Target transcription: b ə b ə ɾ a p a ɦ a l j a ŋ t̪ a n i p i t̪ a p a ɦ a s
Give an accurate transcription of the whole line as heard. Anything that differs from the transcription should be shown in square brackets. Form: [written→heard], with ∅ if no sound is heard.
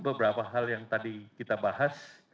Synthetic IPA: b ə b ə ɾ a p a ɦ a l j a ŋ t̪ a [n→d] i [p→k] i t̪ a [p→b] a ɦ a s